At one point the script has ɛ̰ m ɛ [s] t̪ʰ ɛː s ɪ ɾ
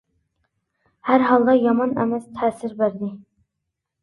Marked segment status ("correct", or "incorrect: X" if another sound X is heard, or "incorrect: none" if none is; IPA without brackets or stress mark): correct